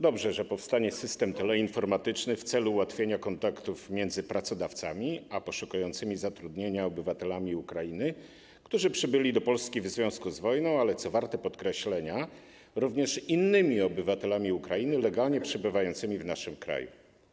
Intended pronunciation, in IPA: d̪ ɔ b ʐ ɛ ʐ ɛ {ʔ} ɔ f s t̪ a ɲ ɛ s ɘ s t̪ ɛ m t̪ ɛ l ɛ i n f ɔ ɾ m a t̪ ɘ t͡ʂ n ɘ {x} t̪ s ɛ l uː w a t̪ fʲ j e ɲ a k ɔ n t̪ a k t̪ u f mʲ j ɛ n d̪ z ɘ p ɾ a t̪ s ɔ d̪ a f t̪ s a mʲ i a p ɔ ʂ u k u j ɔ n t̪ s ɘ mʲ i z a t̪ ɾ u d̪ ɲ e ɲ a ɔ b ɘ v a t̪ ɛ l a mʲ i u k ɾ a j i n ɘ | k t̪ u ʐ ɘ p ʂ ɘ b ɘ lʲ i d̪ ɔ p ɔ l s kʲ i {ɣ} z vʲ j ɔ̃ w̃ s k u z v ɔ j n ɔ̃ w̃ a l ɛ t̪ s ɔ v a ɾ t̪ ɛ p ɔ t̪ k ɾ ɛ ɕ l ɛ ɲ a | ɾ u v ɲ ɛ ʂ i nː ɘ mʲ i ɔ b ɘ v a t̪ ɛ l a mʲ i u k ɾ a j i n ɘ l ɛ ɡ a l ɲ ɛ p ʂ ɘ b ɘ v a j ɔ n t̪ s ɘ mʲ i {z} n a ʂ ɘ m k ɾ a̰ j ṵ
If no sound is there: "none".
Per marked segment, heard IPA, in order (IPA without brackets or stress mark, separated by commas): p, f, v, v